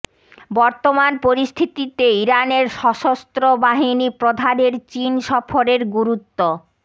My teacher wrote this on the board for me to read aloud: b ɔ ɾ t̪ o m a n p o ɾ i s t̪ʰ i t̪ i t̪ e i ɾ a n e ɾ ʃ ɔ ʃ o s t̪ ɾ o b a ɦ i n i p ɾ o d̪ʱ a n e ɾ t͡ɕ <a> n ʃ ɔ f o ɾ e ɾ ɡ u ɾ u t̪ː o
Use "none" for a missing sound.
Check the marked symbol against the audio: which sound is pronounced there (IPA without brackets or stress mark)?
i